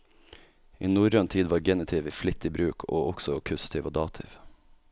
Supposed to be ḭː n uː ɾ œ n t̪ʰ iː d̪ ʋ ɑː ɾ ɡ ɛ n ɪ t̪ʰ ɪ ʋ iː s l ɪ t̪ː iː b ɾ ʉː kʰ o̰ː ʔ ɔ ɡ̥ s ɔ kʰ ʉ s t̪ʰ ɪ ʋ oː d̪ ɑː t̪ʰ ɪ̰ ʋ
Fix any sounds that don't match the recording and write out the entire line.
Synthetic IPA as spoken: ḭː n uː ɾ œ n t̪ʰ iː d̪ ʋ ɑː ɾ ɡ ɛ n ɪ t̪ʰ ɪ ʋ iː f l ɪ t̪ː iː b ɾ ʉː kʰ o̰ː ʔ ɔ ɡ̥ s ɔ kʰ ʉ s t̪ʰ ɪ ʋ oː d̪ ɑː t̪ʰ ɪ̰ ʋ

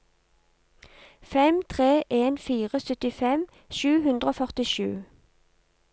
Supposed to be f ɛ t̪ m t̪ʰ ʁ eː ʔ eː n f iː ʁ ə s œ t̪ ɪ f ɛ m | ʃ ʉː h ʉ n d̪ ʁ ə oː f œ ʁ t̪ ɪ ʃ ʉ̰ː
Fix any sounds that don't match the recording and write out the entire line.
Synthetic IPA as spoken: f ɛ m t̪ʰ ʁ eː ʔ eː n f iː ʁ ə s œ t̪ ɪ f ɛ m | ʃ ʉː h ʉ n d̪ ʁ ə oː f œ ʁ t̪ ɪ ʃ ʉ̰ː

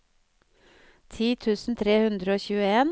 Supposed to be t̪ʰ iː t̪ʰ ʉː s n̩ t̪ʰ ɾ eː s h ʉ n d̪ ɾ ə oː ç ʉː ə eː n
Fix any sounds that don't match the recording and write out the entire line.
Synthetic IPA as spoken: t̪ʰ iː t̪ʰ ʉː s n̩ t̪ʰ ɾ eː h ʉ n d̪ ɾ ə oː ç ʉː ə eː n

